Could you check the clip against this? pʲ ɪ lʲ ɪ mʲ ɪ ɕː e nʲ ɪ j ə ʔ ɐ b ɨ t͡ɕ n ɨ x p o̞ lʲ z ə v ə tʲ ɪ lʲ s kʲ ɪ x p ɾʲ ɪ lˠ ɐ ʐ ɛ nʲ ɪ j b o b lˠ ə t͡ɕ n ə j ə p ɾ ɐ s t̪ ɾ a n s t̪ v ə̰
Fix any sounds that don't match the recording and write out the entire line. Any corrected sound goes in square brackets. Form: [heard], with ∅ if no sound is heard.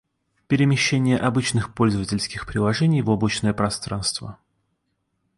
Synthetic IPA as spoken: pʲ ɪ [ɾʲ] ɪ mʲ ɪ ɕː e nʲ ɪ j ə ʔ ɐ b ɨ t͡ɕ n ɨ x p o̞ lʲ z ə v ə tʲ ɪ lʲ s kʲ ɪ x p ɾʲ ɪ lˠ ɐ ʐ ɛ nʲ ɪ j [v] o b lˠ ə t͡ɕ n ə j ə p ɾ ɐ s t̪ ɾ a n s t̪ v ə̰